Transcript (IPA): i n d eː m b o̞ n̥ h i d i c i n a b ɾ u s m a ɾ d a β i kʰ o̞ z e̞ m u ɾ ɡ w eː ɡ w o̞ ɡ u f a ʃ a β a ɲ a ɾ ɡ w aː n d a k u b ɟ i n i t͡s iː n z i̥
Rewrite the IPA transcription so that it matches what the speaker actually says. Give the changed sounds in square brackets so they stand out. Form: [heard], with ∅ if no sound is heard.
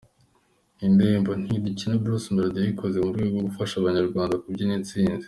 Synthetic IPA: i n d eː m b o̞ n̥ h i d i c i n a b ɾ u s m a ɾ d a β i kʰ o̞ z e̞ m u ɾ ɡ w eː ɡ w o̞ ɡ u f a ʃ a β a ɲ a ɾ ɡ w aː n d a k u b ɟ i n i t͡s iː n z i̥